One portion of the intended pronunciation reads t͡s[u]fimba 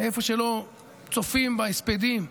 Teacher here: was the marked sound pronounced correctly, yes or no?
no